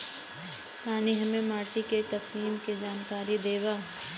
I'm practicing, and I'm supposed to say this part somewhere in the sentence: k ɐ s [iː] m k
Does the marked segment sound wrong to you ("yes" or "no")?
no